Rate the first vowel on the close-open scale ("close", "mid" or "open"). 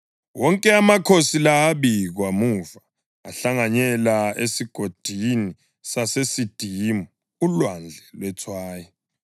mid